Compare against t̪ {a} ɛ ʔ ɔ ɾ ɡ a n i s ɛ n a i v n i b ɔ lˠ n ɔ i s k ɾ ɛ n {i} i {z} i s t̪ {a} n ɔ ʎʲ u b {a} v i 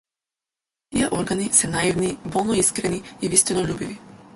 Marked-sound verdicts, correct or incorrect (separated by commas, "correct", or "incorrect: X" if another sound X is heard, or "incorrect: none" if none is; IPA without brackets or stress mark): incorrect: i, correct, incorrect: v, incorrect: i, incorrect: i